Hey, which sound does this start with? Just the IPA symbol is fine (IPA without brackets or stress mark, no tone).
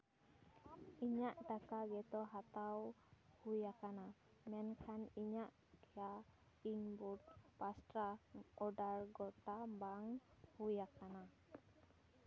i